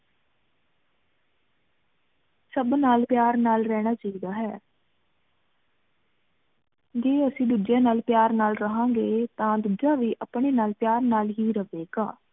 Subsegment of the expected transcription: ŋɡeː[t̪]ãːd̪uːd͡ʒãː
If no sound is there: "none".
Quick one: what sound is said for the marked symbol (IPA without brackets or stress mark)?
t̪